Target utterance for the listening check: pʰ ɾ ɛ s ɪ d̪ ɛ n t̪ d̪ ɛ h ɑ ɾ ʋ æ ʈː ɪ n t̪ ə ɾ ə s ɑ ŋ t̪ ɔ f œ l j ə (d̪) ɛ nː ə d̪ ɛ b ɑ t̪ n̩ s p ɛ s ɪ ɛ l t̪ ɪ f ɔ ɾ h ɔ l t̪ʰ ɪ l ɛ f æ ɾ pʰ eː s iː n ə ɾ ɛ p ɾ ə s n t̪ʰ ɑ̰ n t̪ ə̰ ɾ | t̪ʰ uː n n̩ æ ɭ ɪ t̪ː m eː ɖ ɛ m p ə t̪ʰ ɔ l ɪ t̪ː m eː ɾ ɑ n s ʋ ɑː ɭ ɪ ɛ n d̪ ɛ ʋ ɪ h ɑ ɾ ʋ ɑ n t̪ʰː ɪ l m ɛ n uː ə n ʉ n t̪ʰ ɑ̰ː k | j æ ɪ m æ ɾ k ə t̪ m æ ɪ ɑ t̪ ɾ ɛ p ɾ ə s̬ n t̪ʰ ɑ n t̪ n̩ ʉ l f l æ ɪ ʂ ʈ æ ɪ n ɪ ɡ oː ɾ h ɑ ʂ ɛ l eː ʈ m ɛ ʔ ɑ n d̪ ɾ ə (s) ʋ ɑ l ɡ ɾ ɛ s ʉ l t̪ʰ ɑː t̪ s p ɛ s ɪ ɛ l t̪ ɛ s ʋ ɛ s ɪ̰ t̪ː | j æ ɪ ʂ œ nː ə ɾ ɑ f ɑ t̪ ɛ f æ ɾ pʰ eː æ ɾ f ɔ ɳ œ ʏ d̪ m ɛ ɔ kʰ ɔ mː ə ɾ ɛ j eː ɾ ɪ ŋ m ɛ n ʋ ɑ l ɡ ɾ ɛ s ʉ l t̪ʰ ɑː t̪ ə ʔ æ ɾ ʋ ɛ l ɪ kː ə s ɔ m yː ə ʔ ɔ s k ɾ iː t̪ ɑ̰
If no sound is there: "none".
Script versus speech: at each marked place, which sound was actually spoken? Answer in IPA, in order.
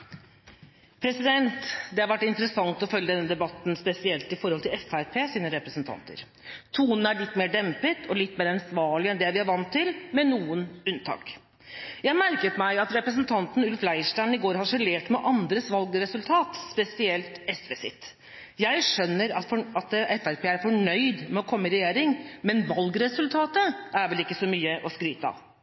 d̪, s

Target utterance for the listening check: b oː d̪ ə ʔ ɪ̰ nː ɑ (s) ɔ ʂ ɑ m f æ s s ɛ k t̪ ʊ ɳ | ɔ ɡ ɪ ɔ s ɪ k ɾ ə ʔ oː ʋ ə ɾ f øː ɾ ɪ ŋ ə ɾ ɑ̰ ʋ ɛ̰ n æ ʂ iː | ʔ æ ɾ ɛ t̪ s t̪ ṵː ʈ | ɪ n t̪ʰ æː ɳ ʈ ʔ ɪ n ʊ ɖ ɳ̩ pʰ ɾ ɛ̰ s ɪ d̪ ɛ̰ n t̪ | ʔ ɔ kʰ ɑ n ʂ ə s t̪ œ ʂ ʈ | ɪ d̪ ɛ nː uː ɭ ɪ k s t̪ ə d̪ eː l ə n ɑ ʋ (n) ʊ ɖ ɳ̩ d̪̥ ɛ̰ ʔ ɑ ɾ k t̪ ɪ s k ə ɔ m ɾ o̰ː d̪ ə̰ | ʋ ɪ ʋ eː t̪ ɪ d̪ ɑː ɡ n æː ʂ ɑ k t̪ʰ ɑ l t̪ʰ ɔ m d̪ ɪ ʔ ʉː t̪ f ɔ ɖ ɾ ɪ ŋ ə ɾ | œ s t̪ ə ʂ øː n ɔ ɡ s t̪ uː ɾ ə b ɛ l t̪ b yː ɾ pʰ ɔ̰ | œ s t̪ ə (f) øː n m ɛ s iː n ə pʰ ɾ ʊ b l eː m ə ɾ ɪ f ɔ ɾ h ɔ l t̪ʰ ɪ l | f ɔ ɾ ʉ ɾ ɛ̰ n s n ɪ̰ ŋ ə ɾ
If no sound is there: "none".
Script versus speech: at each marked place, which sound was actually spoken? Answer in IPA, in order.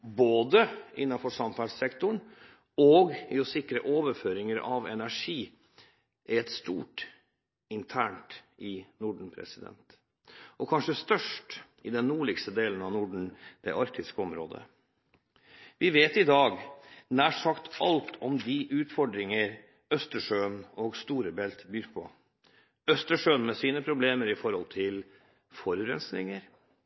f, n, ʂ

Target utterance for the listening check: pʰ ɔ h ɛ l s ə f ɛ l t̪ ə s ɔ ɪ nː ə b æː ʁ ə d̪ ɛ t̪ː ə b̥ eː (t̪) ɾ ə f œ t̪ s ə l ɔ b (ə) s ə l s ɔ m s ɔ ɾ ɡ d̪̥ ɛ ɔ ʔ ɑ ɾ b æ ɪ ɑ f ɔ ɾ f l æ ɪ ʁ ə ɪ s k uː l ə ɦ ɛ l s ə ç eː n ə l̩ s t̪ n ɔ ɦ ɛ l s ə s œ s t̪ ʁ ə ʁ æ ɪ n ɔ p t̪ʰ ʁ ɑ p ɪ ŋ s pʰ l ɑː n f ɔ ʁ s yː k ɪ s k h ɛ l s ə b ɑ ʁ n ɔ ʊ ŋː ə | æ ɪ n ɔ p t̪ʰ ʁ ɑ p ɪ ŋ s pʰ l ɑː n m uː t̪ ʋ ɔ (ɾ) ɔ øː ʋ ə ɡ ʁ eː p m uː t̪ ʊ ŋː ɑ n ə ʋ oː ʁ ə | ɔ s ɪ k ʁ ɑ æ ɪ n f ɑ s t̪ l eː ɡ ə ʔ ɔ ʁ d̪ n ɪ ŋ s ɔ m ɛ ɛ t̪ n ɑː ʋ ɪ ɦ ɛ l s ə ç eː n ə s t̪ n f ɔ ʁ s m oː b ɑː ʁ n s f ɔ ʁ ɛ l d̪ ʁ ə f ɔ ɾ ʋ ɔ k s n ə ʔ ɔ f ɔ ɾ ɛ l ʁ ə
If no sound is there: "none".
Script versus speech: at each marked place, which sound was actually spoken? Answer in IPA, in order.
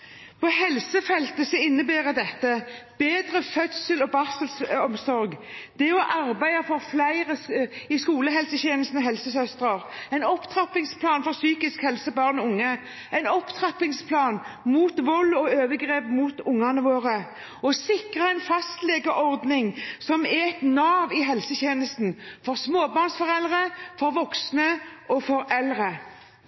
d̪, ɑ, l

